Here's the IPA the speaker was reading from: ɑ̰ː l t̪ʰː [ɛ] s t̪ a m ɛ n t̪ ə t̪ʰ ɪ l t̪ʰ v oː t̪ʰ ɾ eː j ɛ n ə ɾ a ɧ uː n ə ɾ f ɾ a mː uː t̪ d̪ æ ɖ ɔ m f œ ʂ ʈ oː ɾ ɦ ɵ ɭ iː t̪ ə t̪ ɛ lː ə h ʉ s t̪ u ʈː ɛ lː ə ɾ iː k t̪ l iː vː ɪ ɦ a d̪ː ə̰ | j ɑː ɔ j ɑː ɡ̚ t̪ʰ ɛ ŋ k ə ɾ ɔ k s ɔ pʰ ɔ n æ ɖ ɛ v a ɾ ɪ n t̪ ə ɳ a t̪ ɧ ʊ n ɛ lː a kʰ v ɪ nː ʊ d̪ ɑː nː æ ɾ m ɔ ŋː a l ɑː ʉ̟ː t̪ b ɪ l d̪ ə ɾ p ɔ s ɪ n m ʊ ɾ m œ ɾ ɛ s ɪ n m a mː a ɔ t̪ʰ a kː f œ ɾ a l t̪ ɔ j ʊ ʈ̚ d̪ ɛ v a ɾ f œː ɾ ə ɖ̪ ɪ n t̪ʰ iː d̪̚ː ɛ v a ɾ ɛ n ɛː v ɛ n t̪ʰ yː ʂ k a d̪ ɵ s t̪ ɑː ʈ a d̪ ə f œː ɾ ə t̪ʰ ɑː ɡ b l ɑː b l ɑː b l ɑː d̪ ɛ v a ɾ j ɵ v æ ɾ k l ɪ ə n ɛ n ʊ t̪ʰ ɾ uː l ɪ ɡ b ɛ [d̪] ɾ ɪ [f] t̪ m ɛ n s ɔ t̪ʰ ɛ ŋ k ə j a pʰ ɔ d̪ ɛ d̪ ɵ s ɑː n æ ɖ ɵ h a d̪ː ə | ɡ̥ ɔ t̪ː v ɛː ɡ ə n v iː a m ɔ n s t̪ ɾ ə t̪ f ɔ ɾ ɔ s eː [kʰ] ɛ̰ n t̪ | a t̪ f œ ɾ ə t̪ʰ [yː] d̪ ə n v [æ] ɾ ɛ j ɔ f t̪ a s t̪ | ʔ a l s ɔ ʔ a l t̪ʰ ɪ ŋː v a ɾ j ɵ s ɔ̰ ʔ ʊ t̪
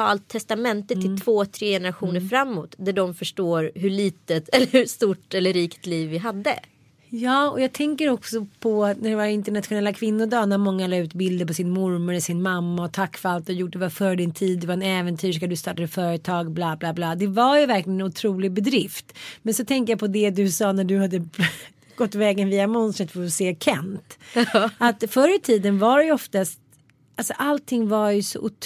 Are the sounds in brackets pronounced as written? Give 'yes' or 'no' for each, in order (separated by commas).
yes, yes, yes, yes, no, no